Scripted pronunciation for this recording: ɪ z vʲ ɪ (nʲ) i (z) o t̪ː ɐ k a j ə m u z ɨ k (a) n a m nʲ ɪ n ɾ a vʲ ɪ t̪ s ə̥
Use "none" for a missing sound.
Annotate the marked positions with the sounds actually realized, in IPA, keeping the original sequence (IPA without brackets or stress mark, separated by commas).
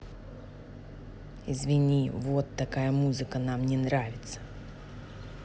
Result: nʲ, v, ə